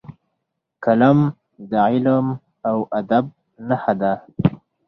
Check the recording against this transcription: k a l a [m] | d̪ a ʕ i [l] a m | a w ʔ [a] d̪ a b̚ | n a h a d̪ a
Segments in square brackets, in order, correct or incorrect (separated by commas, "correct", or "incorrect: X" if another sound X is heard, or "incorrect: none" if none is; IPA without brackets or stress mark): correct, correct, correct